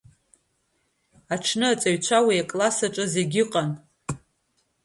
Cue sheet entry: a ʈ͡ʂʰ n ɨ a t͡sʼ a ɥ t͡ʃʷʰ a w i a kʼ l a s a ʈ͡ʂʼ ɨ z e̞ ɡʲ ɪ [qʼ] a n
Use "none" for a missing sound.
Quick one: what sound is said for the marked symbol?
qʼ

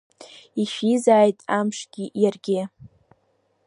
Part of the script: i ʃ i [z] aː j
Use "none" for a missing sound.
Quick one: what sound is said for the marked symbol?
z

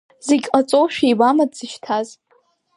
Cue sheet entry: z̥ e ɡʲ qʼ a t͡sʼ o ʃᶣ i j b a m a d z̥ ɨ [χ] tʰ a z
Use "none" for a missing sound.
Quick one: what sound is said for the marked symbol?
ʃ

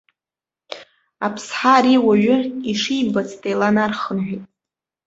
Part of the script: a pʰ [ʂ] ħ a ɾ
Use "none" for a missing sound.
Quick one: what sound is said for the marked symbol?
s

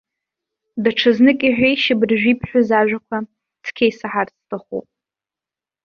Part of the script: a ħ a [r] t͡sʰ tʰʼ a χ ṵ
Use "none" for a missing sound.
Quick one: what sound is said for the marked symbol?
r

